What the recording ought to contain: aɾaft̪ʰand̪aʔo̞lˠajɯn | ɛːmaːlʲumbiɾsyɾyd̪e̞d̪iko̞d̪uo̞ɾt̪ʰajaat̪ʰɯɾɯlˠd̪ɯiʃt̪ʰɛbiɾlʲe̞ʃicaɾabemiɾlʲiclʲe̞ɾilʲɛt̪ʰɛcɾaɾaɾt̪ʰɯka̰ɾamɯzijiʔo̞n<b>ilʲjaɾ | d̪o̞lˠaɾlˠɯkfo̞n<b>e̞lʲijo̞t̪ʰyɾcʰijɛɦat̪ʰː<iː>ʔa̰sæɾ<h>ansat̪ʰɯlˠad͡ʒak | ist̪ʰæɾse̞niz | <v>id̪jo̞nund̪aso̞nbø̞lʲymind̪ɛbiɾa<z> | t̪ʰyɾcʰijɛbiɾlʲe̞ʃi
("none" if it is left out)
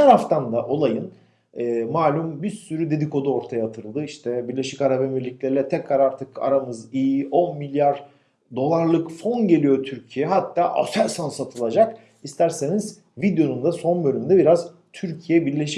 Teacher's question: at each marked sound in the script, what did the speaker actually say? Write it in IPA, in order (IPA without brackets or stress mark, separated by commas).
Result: m, ɟ, aː, s, v, z